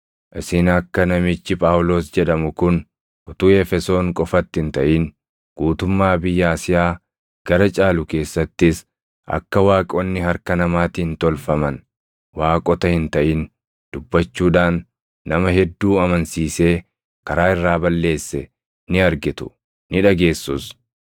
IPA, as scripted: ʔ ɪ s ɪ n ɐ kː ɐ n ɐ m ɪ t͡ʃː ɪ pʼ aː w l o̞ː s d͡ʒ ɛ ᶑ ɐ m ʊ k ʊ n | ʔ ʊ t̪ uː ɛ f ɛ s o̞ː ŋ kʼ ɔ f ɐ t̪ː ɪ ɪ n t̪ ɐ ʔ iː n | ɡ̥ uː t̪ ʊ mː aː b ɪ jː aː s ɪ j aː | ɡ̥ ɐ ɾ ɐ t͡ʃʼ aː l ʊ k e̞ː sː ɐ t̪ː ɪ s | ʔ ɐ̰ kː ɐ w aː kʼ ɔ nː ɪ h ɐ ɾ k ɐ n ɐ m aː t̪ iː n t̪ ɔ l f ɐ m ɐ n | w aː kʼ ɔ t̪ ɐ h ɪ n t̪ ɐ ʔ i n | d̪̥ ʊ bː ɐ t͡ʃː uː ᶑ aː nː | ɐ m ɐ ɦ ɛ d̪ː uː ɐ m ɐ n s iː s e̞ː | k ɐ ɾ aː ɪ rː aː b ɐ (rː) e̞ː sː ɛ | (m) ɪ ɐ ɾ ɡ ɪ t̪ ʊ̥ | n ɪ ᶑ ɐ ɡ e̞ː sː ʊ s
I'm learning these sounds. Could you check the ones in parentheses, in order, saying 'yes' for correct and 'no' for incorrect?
no, no

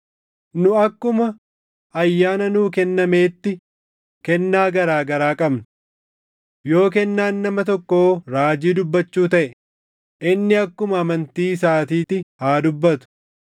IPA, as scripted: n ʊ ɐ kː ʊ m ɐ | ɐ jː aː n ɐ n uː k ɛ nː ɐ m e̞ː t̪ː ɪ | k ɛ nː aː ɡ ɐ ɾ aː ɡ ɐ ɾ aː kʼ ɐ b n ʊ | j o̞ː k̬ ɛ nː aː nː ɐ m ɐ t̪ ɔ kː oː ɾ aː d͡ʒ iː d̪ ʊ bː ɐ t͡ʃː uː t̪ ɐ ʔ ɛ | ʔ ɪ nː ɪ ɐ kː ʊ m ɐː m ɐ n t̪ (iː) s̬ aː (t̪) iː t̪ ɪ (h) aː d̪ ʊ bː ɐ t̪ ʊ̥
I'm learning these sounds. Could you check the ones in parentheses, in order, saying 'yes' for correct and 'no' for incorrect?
yes, yes, yes

